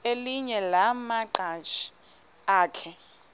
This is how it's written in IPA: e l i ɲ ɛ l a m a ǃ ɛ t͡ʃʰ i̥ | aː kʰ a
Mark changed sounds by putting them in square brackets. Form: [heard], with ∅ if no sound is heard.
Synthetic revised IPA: e l i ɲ ɛ l a m a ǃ [a] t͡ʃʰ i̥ | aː kʰ [ɛ]